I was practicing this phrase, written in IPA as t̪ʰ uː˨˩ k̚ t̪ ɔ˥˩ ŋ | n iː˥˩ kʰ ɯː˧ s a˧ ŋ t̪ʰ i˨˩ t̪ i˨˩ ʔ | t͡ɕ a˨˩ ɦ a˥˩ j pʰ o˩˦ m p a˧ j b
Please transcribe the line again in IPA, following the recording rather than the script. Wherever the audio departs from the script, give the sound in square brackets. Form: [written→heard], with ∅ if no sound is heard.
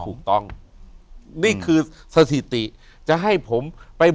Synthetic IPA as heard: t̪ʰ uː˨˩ k̚ t̪ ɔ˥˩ ŋ | n iː˥˩ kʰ ɯː˧ s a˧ [ŋ→∅] t̪ʰ i˨˩ t̪ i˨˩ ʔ | t͡ɕ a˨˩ ɦ a˥˩ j pʰ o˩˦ m p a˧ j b